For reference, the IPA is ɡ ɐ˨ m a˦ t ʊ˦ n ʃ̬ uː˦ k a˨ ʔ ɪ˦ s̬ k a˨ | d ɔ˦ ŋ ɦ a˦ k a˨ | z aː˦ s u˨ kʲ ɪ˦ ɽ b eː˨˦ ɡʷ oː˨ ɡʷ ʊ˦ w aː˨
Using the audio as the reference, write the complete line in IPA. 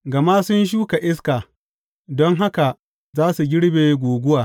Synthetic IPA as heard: ɡ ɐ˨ m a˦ s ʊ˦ n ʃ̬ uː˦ k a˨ ʔ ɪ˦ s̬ k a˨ | d ɔ˦ ŋ ɦ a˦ k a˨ | z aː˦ s u˨ ɡʲ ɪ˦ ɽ b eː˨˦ ɡʷ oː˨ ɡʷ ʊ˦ w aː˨